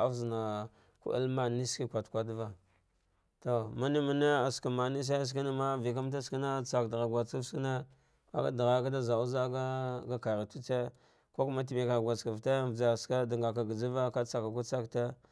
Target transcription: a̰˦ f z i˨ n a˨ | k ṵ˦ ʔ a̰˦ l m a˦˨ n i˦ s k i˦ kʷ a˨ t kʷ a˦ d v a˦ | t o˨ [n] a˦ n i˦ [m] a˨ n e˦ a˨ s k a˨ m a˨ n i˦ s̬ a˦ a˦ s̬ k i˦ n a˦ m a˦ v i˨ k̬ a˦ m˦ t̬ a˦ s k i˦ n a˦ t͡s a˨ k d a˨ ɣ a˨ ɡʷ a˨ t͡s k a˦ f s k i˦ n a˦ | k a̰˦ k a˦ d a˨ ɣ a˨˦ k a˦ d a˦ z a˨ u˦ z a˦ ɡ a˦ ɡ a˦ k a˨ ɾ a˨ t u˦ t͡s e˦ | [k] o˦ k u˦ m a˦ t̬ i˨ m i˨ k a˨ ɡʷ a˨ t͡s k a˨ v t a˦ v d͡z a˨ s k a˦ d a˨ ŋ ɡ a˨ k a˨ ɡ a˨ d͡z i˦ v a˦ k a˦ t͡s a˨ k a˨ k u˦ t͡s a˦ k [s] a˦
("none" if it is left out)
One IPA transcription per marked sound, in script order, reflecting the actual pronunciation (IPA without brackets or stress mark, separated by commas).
m, m, k, t